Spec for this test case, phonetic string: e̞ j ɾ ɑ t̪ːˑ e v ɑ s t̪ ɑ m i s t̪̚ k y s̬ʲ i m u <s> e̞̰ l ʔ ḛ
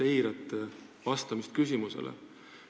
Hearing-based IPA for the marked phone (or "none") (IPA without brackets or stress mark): s